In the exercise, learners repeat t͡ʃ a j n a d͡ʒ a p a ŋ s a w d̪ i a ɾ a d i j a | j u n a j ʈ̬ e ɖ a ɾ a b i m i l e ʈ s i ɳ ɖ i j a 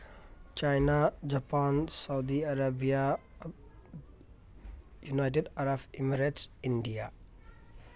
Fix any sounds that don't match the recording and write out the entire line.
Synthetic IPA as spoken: t͡ʃ a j n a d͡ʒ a p a n s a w d̪ i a ɾ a b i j a | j u n a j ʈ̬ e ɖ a ɾ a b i m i ɾ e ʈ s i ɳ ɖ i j a